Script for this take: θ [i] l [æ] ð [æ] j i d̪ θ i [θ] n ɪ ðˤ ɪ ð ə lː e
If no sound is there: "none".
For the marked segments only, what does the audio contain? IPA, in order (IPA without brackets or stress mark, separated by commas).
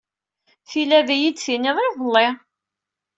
i, æ, æ, none